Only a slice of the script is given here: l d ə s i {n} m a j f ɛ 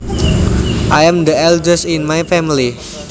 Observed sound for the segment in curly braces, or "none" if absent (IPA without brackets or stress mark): n